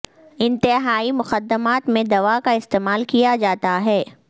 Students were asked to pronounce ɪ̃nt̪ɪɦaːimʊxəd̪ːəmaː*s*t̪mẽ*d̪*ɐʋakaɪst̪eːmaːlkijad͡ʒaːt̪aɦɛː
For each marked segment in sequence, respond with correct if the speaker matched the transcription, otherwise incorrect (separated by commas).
incorrect, correct